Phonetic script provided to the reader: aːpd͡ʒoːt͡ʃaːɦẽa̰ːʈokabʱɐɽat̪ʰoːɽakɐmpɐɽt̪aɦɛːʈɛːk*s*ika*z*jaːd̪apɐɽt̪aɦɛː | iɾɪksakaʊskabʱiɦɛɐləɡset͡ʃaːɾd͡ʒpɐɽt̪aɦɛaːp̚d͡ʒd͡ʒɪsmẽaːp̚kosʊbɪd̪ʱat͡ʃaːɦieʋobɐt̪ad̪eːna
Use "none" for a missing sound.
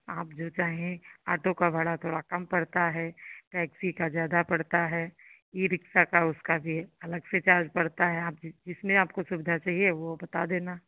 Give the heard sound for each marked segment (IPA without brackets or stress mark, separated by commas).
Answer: s, z